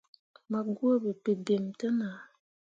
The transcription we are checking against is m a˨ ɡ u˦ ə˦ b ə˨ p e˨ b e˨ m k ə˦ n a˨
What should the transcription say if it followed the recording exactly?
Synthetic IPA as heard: m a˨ ɡ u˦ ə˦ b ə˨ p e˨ b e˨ m t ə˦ n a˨